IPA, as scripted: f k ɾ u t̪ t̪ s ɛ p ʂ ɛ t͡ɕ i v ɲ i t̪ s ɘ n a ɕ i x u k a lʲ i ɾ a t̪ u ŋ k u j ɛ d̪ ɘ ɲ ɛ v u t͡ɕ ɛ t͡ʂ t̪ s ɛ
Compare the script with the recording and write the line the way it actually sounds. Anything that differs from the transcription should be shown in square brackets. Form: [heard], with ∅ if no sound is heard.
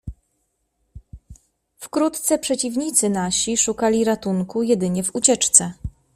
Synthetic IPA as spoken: f k ɾ u t̪ t̪ s ɛ p ʂ ɛ t͡ɕ i v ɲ i t̪ s ɘ n a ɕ i [ʂ] u k a lʲ i ɾ a t̪ u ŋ k u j ɛ d̪ ɘ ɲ ɛ v u t͡ɕ ɛ t͡ʂ t̪ s ɛ